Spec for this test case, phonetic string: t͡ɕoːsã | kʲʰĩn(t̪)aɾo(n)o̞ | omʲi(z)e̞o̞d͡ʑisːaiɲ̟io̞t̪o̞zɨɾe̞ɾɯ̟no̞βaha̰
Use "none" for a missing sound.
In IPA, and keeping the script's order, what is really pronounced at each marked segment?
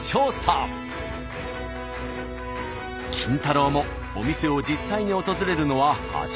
t̪, m, s

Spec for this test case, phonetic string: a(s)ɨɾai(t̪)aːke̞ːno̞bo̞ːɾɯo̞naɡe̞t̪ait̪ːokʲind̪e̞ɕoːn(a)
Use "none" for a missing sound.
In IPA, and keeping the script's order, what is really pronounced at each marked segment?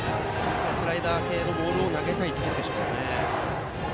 s, d̪, e

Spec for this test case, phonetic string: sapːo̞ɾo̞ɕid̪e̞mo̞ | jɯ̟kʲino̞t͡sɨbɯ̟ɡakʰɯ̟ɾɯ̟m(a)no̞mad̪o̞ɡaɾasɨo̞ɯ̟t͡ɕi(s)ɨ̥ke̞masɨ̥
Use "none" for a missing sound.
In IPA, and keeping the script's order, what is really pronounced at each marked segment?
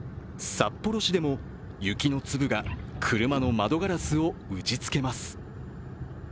a, t͡s

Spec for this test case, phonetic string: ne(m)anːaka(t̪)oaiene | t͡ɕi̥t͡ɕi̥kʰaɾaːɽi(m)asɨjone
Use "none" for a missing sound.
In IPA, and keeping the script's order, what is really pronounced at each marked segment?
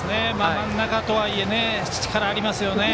m, t̪, m

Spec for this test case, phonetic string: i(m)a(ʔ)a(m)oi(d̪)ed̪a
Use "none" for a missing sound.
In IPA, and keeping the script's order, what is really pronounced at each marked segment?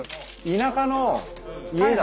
n, k, n, none

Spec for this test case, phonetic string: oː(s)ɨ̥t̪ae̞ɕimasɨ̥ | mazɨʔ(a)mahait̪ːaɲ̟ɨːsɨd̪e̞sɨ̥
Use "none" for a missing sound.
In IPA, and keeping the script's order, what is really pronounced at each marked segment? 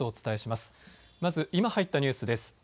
t͡s, i

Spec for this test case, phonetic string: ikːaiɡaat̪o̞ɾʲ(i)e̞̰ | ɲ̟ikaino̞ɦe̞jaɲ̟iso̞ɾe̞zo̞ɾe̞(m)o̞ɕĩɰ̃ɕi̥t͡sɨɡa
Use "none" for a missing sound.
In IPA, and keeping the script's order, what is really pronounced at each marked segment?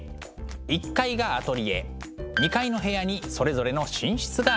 i, n

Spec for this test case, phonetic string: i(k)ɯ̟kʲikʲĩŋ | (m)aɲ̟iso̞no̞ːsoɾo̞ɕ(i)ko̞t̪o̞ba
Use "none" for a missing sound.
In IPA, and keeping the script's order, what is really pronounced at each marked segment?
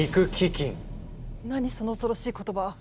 k, n, iː

